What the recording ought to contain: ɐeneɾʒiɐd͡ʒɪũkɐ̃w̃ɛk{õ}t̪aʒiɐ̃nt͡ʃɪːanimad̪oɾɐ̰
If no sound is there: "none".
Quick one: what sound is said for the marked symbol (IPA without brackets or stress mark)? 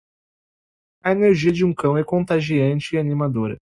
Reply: õ